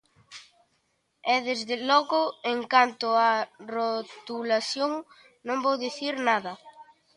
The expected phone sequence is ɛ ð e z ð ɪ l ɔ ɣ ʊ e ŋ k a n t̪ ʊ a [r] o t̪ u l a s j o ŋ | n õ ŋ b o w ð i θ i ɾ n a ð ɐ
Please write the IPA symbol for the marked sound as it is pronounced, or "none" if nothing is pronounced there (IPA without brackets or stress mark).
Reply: r